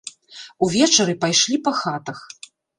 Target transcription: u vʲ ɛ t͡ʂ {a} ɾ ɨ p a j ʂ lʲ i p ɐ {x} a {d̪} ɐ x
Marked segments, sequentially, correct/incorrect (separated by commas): incorrect, correct, incorrect